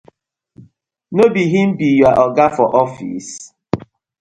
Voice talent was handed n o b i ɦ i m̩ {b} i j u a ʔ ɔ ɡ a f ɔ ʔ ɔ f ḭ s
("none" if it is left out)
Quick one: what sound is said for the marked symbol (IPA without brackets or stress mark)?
b